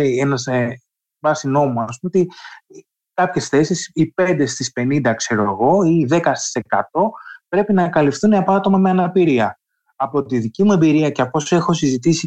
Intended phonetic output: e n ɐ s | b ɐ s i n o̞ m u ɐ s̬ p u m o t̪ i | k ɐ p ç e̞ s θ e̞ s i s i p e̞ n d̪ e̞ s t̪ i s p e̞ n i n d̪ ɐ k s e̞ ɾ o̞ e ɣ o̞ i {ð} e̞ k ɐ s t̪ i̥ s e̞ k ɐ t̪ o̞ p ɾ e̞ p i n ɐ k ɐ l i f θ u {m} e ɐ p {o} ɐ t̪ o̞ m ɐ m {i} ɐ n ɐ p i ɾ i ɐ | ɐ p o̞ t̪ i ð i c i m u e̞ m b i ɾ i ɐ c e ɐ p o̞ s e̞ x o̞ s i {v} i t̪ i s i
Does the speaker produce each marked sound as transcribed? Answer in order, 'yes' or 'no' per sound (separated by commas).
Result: yes, no, yes, no, no